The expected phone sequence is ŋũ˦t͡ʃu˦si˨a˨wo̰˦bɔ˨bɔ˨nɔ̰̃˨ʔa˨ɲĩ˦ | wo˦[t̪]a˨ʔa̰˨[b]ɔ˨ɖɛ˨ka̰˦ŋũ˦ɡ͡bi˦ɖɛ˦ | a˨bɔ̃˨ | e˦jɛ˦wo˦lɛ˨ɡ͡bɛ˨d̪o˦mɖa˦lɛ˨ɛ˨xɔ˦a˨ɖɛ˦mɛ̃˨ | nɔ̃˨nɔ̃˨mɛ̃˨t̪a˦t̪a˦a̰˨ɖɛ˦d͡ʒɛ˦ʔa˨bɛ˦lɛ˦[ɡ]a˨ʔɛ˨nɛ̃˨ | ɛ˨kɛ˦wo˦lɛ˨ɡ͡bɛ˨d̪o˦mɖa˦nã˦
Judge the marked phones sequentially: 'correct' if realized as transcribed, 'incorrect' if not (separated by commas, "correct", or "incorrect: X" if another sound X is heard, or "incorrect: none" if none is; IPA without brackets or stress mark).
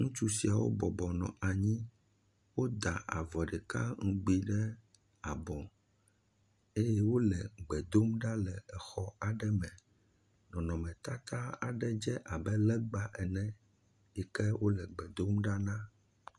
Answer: incorrect: d̪, incorrect: v, incorrect: ɡ͡b